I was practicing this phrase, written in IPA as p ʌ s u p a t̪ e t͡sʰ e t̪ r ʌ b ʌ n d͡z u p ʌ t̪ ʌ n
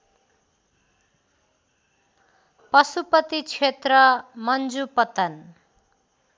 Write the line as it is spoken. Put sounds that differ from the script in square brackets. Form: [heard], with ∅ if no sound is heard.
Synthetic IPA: p ʌ s u p [ʌ] t̪ [i] t͡sʰ e t̪ r ʌ [m] ʌ n d͡z u p ʌ t̪ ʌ n